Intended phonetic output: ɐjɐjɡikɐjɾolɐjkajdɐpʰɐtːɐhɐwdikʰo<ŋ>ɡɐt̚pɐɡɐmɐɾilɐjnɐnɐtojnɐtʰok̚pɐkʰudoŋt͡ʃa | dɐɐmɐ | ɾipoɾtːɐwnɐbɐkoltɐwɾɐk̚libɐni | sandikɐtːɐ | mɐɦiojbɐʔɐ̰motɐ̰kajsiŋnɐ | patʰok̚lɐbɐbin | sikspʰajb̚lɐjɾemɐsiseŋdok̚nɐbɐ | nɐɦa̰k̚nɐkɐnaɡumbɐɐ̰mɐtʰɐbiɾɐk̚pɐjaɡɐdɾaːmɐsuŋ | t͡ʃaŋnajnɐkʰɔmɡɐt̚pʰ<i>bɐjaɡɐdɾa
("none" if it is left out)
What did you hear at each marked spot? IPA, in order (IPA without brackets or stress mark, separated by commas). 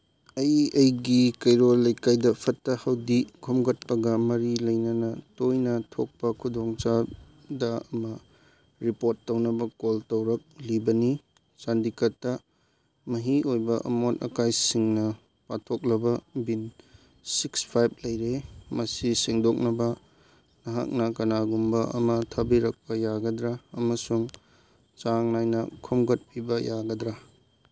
m, i